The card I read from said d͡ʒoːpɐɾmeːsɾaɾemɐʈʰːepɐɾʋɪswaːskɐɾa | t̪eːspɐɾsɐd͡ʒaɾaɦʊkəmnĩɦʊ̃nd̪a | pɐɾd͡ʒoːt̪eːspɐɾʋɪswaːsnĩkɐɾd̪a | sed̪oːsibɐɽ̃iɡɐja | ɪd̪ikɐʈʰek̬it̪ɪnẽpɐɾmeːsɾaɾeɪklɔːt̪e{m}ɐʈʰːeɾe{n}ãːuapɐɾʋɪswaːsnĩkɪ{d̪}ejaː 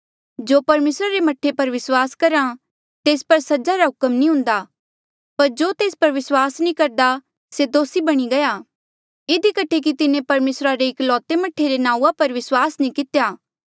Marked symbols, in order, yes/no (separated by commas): yes, yes, no